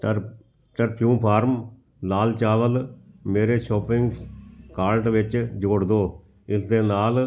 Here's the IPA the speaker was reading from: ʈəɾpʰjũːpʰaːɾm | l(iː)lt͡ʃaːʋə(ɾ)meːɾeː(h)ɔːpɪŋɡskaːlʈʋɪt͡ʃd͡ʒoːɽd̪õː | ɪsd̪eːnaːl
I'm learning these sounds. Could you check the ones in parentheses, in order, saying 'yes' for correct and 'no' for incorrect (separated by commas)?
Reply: no, no, no